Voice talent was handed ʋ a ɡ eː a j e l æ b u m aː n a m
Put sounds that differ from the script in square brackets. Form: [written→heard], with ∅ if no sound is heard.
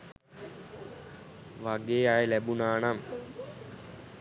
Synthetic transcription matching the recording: ʋ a ɡ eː a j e l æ b u [m→n] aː n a m